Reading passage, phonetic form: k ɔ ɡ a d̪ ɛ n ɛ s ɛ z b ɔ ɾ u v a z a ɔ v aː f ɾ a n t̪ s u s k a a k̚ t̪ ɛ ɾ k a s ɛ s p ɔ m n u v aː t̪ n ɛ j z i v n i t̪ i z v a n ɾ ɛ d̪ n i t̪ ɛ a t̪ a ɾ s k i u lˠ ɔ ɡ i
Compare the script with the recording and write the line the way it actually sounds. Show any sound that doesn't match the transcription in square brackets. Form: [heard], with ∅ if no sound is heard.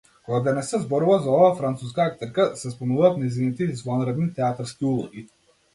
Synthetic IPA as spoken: k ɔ ɡ a d̪ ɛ n ɛ s ɛ z b ɔ ɾ u v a z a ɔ v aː f ɾ a n t̪ s u s k a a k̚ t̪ ɛ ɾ k a s ɛ s p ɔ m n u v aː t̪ n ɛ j z i [∅] n i t̪ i z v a n ɾ ɛ d̪ n i t̪ ɛ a t̪ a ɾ s k i u lˠ ɔ ɡ i